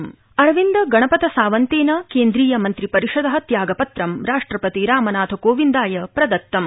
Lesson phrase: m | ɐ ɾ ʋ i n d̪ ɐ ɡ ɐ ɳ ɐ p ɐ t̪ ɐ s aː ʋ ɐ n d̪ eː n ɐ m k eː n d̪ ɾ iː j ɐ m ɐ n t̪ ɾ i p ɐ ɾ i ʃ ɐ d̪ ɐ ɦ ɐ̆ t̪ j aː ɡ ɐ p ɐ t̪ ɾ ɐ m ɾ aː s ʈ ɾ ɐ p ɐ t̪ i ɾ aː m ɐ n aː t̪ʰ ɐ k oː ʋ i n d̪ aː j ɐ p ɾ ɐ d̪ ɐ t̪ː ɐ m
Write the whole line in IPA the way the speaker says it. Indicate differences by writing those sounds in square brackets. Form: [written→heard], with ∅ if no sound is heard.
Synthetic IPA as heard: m | ɐ ɾ ʋ i n d̪ ɐ ɡ ɐ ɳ ɐ p ɐ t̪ ɐ s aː ʋ ɐ n [d̪→t̪] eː n ɐ [m→∅] k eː n d̪ ɾ iː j ɐ m ɐ n t̪ ɾ i p ɐ ɾ i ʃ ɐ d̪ ɐ ɦ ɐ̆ t̪ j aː ɡ ɐ p ɐ t̪ ɾ ɐ m ɾ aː [s→ʂ] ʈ ɾ ɐ p ɐ t̪ i ɾ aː m ɐ n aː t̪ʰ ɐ k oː ʋ i n d̪ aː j ɐ p ɾ ɐ d̪ ɐ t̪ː ɐ m